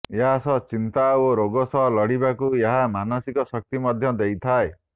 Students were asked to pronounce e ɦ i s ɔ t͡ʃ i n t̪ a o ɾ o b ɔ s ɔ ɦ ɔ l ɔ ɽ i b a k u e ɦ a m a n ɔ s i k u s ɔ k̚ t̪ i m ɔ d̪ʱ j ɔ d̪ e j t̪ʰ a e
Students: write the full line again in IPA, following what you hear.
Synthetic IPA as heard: e ɦ a s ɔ t͡ʃ i n t̪ a o ɾ o ɡ ɔ s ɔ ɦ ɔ l ɔ ɽ i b a k u e ɦ a m a n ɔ s i k ɔ s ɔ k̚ t̪ i m ɔ d̪ʱ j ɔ d̪ e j t̪ʰ a e